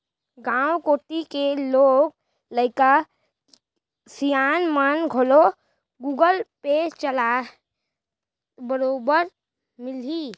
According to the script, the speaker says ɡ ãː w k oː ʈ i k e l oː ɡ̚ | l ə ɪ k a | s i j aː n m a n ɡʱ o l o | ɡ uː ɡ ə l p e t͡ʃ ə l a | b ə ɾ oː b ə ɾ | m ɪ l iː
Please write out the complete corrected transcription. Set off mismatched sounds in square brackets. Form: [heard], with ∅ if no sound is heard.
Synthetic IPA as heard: ɡ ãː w k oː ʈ i k e l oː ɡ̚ | l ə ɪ k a | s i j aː n m a n ɡʱ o l o | ɡ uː ɡ ə l p e t͡ʃ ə l a | b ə ɾ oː b ə ɾ | m ɪ l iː

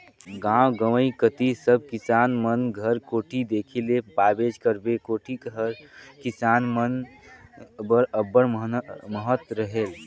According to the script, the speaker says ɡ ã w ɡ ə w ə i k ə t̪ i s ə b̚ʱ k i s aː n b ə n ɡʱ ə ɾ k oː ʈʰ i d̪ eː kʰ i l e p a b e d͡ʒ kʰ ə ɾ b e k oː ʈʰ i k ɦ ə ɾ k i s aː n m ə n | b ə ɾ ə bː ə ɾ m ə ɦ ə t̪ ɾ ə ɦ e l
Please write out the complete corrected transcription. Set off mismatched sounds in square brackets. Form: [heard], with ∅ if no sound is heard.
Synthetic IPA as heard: ɡ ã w ɡ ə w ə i k ə t̪ i s ə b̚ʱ k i s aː n [m] ə n ɡʱ ə ɾ k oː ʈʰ i d̪ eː kʰ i l e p a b e d͡ʒ [k] ə ɾ b e k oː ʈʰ i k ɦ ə ɾ k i s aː n m ə n | b ə ɾ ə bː ə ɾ m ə ɦ ə t̪ ɾ ə ɦ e l

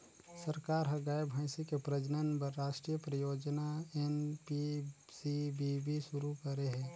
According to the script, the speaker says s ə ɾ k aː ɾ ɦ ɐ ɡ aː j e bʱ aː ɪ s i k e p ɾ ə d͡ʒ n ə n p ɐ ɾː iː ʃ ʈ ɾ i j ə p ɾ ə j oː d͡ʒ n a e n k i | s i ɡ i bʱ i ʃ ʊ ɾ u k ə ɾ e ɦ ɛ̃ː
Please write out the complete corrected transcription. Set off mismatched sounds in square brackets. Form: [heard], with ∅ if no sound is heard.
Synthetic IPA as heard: s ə ɾ k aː ɾ ɦ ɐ ɡ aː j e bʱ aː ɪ s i k e p ɾ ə d͡ʒ n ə n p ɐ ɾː [aː] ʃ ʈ ɾ i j ə p ɾ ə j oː d͡ʒ n a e n [p] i | s i [b] i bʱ i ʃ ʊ ɾ u k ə ɾ e ɦ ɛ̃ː

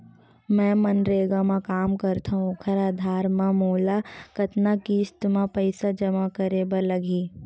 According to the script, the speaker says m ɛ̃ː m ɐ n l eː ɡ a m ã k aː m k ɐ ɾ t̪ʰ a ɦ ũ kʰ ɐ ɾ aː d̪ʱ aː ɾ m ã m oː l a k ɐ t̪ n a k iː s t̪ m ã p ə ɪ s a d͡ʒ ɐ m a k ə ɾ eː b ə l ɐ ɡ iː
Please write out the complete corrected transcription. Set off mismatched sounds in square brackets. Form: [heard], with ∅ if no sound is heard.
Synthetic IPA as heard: m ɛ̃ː m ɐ n [ɾ] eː ɡ a m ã k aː m k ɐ ɾ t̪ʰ a ɦ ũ kʰ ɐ ɾ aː d̪ʱ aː ɾ m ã m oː l a k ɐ t̪ n a k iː s t̪ m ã p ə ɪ s a d͡ʒ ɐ m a k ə ɾ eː b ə l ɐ ɡ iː

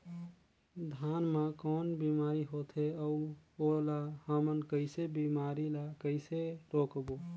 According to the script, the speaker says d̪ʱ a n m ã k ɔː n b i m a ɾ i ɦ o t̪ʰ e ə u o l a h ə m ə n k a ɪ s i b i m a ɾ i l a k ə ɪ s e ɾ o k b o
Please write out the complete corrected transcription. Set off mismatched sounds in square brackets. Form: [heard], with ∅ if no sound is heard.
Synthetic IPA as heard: d̪ʱ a n m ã k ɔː n b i m a ɾ i ɦ o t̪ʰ e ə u o l a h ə m ə n k [ə] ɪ s [e] b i m a ɾ i l a k ə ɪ s e ɾ o k b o

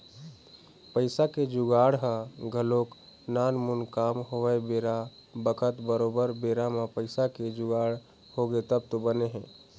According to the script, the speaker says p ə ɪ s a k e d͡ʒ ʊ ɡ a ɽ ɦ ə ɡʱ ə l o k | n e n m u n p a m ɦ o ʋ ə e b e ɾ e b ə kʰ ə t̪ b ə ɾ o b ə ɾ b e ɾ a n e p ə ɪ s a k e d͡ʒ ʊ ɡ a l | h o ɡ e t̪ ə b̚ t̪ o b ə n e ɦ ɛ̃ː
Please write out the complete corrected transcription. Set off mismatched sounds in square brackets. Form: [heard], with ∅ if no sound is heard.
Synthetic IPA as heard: p ə ɪ s a k e d͡ʒ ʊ ɡ a ɽ ɦ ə ɡʱ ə l o k | n [a] n m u n [k] a m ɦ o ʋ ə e b e ɾ [a] b ə kʰ ə t̪ b ə ɾ o b ə ɾ b e ɾ a [m] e p ə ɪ s a k e d͡ʒ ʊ ɡ a [ɽ] | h o ɡ e t̪ ə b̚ t̪ o b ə n e ɦ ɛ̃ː

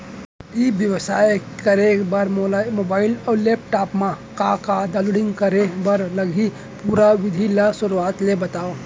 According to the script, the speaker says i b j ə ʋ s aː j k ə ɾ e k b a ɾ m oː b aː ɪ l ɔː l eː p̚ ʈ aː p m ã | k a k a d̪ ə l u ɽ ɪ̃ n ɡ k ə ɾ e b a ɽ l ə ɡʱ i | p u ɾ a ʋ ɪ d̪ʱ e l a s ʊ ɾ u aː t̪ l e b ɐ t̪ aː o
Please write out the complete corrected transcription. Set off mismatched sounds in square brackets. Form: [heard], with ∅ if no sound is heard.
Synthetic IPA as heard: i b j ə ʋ s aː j k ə ɾ e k b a ɾ m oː b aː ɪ l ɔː l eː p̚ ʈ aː p m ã | k a k a d̪ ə l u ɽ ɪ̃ [ŋ] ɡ k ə ɾ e b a [ɾ] l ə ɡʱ i | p u ɾ a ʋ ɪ d̪ʱ [i] l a s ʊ ɾ u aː t̪ l e b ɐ t̪ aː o

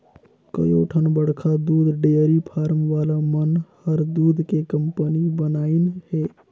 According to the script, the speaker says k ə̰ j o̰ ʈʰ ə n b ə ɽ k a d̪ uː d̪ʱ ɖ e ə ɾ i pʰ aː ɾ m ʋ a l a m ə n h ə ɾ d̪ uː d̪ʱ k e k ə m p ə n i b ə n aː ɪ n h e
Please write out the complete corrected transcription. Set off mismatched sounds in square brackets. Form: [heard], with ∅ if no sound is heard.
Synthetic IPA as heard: k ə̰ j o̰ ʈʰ ə n b ə ɽ [kʰ] a d̪ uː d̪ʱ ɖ e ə ɾ i pʰ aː ɾ m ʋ a l a m ə n h ə ɾ d̪ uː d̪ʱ k e k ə m p ə n i b ə n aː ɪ n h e

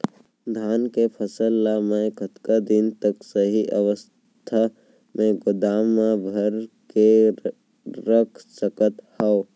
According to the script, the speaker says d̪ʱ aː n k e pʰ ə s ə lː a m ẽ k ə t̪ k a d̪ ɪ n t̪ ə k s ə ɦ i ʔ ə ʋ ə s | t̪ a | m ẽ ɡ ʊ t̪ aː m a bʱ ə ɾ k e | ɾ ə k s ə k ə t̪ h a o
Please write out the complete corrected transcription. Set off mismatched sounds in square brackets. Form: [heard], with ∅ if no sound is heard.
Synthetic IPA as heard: d̪ʱ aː n k e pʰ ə s ə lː a m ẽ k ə t̪ k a d̪ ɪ n t̪ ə k s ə ɦ i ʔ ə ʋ ə s | [t̪ʰ] a | m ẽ ɡ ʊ [d̪] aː m a bʱ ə ɾ k e | ɾ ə [kʰ] s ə k ə t̪ h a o

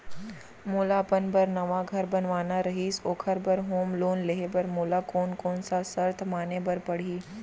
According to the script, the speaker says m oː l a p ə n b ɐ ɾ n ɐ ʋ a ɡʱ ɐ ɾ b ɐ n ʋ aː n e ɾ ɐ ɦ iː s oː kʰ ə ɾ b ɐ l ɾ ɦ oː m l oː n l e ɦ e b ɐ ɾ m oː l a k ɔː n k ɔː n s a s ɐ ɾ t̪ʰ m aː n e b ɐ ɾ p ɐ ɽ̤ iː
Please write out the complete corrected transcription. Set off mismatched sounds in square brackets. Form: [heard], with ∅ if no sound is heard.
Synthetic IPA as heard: m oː l a p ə n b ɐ ɾ n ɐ ʋ a ɡʱ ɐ ɾ b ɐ n ʋ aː n [a] ɾ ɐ ɦ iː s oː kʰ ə ɾ b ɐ [∅] ɾ ɦ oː m l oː n l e ɦ e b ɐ ɾ m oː l a k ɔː n k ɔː n s a s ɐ ɾ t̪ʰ m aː n e b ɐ ɾ p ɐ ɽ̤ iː

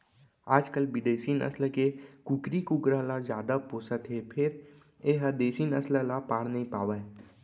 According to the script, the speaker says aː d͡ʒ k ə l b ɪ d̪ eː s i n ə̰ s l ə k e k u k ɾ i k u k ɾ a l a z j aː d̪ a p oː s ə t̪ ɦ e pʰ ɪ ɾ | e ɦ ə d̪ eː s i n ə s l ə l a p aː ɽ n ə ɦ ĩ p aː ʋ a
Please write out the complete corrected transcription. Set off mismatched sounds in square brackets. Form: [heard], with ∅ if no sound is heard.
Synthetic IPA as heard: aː d͡ʒ k ə l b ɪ d̪ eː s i n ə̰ s l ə k e k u k ɾ i k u k ɾ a l a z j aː d̪ a p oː s ə t̪ ɦ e pʰ ɪ ɾ | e ɦ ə d̪ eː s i n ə s l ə l a p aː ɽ n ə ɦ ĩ p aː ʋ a

